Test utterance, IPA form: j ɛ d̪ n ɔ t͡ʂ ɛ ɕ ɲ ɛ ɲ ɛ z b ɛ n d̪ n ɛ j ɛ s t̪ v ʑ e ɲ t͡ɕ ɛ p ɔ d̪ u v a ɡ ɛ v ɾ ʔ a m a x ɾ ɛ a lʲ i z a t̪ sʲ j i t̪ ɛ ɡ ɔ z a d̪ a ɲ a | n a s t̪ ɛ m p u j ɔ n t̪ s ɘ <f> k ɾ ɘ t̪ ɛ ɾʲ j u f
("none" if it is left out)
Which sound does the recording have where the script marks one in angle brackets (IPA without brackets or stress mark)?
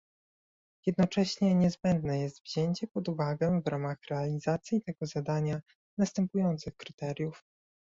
x